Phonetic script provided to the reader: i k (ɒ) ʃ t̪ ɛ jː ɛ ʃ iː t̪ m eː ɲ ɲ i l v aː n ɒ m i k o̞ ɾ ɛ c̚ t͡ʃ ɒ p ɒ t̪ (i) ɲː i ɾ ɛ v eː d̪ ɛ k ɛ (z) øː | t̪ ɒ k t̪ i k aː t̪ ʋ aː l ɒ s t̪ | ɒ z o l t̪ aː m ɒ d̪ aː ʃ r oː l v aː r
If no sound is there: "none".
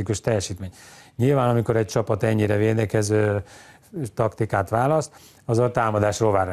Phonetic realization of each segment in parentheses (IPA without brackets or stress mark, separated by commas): u, ɛ, z